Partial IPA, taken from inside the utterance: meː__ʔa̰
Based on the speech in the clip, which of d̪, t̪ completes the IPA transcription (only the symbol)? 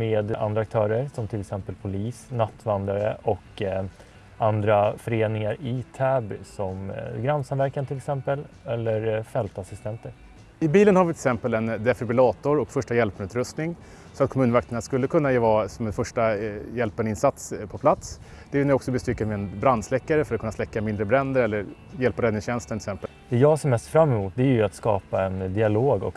d̪